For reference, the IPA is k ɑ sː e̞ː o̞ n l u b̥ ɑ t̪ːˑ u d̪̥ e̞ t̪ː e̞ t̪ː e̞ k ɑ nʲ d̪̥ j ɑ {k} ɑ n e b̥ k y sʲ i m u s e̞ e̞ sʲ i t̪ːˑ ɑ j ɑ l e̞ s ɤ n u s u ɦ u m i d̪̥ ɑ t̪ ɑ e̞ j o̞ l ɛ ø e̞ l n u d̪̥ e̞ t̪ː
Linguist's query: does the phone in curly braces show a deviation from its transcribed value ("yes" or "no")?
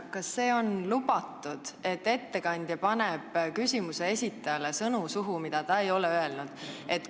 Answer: yes